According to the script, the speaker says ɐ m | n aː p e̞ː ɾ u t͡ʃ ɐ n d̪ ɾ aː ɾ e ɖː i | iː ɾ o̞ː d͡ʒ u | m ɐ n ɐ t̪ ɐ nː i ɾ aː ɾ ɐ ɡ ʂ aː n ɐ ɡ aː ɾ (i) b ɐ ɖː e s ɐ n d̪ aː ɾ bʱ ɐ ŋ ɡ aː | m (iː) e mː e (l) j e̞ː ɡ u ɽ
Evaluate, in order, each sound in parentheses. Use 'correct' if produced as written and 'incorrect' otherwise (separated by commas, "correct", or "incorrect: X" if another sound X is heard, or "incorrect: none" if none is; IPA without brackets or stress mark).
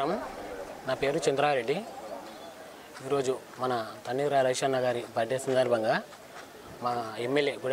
correct, incorrect: aː, correct